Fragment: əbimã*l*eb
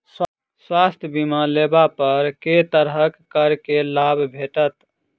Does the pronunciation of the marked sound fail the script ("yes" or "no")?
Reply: no